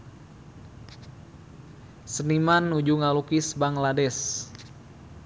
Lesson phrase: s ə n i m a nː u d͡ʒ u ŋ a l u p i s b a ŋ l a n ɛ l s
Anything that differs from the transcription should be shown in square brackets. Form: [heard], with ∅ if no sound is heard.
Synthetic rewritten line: s ə n i m a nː u d͡ʒ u ŋ a l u [k] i s b a ŋ l a [d] ɛ [∅] s